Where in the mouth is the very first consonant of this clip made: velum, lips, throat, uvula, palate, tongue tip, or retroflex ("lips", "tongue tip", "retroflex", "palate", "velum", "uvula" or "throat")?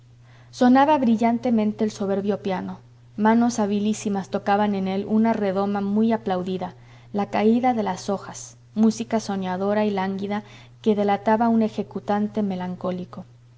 tongue tip